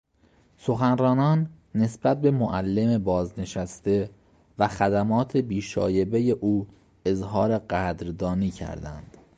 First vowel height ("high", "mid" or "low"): mid